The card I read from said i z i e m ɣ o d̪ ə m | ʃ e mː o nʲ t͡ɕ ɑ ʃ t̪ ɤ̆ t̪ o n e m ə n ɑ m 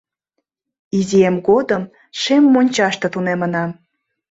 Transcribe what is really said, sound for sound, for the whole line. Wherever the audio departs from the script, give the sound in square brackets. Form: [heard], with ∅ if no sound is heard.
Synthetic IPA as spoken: i z i e m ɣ o d̪ ə m | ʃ e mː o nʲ t͡ɕ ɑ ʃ t̪ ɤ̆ t̪ [u] n e m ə n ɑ m